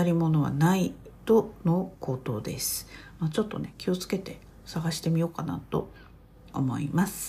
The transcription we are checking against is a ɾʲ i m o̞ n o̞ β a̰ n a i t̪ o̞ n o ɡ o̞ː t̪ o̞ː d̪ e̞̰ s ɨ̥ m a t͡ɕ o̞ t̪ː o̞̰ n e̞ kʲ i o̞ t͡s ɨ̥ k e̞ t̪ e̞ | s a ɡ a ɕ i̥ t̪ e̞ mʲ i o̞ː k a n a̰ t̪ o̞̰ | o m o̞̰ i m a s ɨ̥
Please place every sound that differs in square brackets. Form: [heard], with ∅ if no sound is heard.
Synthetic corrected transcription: a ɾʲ i m o̞ n o̞ β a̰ n a i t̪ o̞ n o [k] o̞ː t̪ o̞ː d̪ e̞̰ s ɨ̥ m a t͡ɕ o̞ t̪ː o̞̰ n e̞ kʲ i o̞ t͡s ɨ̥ k e̞ t̪ e̞ | s a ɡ a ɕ i̥ t̪ e̞ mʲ i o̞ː k a n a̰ t̪ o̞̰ | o m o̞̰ i m a s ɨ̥